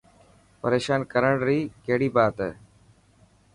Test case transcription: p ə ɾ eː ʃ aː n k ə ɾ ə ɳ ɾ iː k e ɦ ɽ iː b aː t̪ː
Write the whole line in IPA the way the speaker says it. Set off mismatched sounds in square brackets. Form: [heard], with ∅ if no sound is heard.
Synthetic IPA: p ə ɾ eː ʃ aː n k ə ɾ ə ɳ ɾ iː k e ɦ ɽ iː b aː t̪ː